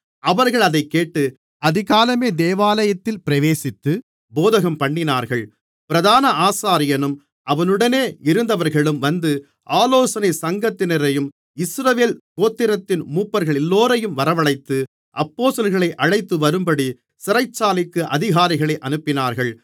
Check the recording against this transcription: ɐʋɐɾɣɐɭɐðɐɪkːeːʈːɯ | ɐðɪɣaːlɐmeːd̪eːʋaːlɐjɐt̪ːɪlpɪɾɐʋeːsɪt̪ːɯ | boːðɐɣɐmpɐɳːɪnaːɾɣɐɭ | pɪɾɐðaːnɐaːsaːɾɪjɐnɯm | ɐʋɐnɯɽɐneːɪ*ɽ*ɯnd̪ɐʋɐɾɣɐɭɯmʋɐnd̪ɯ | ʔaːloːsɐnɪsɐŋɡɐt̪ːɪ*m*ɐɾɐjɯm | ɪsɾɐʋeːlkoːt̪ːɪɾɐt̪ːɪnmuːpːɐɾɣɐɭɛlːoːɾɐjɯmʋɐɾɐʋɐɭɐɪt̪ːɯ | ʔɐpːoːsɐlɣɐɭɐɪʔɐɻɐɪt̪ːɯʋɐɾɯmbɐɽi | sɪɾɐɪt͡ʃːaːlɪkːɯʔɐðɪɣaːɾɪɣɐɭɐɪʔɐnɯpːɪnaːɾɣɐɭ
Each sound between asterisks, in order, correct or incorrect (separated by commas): incorrect, incorrect